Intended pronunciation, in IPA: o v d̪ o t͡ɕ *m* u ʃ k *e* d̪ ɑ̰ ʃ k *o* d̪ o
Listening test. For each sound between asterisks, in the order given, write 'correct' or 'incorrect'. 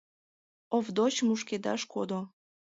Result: correct, correct, correct

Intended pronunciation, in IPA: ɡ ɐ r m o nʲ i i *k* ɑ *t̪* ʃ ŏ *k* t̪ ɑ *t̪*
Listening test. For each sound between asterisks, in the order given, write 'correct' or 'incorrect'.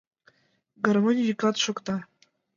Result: correct, correct, correct, incorrect: none

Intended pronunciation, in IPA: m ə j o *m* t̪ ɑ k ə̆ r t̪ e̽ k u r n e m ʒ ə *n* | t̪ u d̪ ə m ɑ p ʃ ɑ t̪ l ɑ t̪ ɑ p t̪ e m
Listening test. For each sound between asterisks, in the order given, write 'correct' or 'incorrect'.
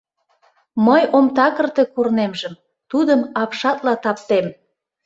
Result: correct, incorrect: m

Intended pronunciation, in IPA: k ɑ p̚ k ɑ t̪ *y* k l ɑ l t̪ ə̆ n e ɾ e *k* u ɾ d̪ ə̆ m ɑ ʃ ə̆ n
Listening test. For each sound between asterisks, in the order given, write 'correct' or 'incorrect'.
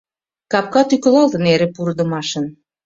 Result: correct, incorrect: p

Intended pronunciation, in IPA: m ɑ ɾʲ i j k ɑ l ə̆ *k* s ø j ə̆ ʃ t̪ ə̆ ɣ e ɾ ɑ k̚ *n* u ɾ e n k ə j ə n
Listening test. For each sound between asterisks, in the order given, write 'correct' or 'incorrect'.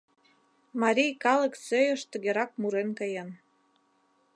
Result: correct, incorrect: m

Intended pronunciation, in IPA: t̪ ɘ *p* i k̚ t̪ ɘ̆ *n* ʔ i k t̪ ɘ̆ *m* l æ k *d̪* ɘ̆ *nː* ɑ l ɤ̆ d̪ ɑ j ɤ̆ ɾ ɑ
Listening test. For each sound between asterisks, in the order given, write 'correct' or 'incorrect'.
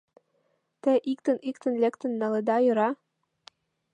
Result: incorrect: ʔ, correct, incorrect: n, incorrect: t̪, correct

